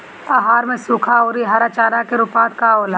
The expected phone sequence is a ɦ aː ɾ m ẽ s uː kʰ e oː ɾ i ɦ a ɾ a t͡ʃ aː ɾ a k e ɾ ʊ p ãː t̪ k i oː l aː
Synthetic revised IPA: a ɦ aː ɾ m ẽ s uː kʰ a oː ɾ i ɦ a ɾ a t͡ʃ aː ɾ a k e ɾ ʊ p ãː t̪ k a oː l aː